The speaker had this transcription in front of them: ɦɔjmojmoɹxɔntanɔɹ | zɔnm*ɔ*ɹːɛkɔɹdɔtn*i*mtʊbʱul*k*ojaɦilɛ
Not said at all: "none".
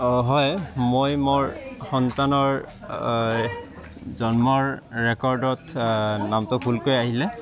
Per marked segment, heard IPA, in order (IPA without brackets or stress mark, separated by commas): ɔ, a, k